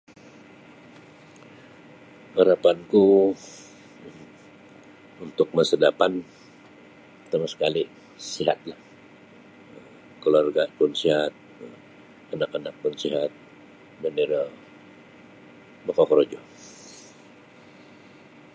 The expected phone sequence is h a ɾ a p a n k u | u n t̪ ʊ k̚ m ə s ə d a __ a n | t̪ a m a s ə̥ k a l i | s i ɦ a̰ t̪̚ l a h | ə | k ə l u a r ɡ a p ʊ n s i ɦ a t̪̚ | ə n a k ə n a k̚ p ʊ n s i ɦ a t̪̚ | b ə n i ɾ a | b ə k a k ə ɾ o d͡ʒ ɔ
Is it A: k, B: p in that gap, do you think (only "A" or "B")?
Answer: B